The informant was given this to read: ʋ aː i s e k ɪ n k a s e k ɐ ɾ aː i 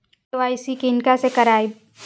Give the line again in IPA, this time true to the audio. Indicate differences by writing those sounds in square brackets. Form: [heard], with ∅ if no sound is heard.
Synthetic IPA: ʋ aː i s [i] k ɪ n k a s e k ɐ ɾ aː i